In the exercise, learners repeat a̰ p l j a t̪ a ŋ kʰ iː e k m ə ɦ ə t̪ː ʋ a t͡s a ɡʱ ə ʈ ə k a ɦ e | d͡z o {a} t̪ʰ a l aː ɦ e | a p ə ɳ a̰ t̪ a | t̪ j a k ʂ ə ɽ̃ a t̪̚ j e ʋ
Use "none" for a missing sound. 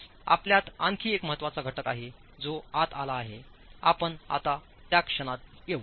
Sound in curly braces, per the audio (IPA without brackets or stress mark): a